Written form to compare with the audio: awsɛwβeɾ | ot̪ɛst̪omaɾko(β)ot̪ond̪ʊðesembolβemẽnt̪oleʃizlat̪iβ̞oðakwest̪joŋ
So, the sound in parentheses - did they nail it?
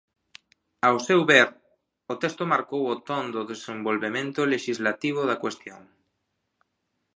no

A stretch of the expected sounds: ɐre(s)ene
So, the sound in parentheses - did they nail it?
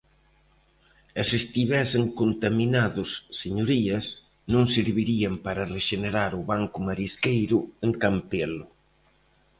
no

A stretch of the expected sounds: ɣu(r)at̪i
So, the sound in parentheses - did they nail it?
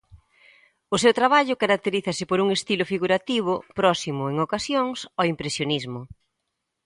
no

